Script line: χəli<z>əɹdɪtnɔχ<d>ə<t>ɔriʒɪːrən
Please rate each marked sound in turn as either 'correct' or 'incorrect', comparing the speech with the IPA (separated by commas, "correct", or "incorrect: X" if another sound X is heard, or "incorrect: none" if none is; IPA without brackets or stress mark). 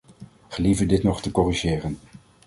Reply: incorrect: v, incorrect: t, incorrect: k